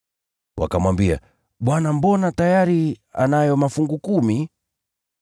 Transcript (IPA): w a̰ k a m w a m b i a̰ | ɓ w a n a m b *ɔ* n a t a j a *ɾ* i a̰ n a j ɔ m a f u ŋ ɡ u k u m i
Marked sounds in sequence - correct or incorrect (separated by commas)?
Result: correct, correct